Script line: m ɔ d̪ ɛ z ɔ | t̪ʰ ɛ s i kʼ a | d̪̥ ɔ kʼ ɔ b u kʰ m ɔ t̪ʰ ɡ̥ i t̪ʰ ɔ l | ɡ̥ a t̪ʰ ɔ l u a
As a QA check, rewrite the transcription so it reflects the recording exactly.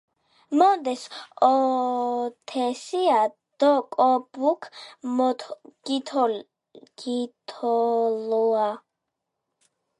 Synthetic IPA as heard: m ɔ d̪ ɛ s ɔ | t̪ʰ ɛ s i a | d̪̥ ɔ kʼ ɔ b u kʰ m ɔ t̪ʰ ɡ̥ i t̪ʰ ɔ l | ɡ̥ i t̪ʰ ɔ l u a